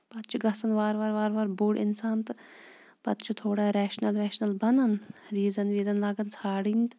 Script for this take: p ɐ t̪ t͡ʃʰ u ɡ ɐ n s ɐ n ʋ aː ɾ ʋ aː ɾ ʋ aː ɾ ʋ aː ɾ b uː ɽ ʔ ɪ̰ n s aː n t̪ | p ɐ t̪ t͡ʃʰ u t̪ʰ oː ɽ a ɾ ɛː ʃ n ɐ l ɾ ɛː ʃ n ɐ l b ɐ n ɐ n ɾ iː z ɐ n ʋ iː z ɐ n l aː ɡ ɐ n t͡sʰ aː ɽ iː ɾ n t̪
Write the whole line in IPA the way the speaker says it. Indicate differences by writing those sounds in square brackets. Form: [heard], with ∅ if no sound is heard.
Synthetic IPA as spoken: p ɐ t̪ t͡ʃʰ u ɡ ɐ [∅] s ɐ n ʋ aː ɾ ʋ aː ɾ ʋ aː ɾ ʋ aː ɾ b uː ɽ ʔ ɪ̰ n s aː n t̪ | p ɐ t̪ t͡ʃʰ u t̪ʰ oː ɽ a ɾ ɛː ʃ n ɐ l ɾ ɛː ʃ n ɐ l b ɐ n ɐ n ɾ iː z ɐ n ʋ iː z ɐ n l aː ɡ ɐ n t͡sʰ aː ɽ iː [∅] n t̪